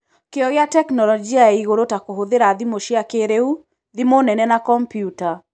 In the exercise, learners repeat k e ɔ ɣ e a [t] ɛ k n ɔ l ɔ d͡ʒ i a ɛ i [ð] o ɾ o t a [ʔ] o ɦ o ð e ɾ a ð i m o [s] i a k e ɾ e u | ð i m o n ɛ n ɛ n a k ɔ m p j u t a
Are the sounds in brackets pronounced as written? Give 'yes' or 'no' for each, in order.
yes, no, no, no

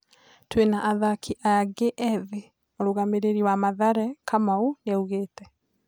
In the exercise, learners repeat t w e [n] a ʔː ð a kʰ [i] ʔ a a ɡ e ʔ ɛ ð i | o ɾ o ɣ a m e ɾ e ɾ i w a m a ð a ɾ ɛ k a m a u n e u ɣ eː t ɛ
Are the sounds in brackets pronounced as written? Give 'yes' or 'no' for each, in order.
yes, yes

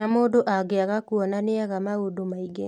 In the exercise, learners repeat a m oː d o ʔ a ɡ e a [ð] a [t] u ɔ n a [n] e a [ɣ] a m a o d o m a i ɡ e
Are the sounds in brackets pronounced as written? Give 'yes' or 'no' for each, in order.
no, no, yes, yes

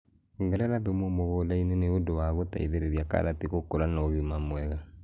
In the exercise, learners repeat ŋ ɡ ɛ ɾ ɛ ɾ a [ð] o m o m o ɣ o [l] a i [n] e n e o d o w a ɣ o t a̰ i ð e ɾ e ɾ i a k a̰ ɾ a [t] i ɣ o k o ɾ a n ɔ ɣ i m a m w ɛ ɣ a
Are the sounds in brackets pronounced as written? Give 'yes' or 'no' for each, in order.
yes, yes, yes, yes

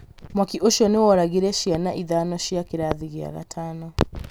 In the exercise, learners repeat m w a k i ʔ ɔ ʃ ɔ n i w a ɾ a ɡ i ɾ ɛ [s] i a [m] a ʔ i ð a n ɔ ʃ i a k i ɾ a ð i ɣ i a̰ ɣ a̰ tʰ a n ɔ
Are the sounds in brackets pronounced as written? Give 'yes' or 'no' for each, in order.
no, no

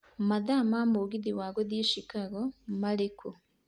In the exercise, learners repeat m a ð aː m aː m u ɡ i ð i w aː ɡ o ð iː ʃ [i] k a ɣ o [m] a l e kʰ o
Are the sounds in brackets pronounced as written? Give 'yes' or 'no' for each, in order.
yes, yes

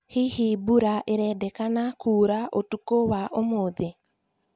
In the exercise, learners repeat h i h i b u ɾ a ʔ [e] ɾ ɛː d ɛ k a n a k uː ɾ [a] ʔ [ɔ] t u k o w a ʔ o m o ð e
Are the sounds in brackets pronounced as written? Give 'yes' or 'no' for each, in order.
yes, yes, no

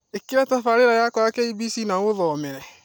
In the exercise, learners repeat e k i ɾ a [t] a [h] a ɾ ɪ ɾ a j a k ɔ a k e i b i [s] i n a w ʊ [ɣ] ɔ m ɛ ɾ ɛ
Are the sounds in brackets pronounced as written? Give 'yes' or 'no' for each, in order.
yes, no, yes, no

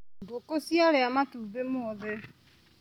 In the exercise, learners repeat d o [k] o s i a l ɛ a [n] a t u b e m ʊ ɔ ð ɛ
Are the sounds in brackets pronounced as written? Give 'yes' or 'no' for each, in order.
yes, no

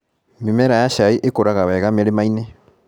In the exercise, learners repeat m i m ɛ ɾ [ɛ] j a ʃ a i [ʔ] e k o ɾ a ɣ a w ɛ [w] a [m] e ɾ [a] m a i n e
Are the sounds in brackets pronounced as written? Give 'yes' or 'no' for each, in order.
no, yes, no, yes, no

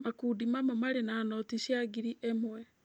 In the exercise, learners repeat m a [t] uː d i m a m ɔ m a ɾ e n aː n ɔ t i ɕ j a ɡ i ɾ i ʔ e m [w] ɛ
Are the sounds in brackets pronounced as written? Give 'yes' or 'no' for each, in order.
no, yes

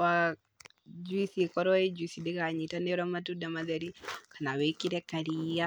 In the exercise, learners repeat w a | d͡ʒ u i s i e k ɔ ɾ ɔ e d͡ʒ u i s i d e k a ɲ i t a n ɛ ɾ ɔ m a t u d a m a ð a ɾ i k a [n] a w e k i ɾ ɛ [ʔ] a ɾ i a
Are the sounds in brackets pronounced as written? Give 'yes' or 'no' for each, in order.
yes, no

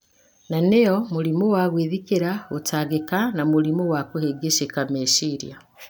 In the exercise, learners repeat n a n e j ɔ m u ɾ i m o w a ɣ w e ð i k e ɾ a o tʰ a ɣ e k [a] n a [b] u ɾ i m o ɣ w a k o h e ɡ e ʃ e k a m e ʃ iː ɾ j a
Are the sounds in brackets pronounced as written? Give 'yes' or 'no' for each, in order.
yes, no

